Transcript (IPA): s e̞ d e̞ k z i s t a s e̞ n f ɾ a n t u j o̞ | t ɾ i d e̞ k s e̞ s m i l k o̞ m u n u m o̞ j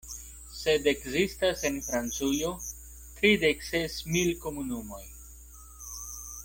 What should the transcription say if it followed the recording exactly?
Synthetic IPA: s e̞ d e̞ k z i s t a s e̞ n f ɾ a n t͡s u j o̞ | t ɾ i d e̞ k s e̞ s m i l k o̞ m u n u m o̞ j